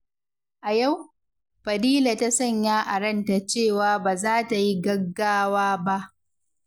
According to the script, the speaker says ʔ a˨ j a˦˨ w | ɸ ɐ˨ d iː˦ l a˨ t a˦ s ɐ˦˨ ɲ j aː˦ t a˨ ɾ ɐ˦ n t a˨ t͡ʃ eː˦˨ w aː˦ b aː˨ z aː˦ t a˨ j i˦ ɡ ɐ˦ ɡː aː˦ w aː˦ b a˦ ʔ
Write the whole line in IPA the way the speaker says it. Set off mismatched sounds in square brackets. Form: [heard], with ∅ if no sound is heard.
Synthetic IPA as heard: ʔ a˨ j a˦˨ w | ɸ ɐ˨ d iː˦ l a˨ t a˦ s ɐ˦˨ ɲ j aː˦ [ʔ] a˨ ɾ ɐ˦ n t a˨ t͡ʃ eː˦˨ w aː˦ b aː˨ z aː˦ t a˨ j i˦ ɡ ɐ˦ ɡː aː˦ w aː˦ b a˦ ʔ